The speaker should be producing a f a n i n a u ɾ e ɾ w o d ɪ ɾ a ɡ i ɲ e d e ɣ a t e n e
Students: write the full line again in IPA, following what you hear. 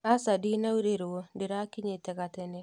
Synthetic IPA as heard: a s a d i n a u ɾ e ɾ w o d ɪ ɾ a k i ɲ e t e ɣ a t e n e